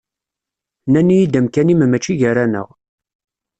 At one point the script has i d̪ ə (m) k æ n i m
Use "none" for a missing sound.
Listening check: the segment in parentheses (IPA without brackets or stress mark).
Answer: m